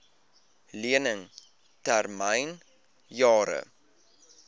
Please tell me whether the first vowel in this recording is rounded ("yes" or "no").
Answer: no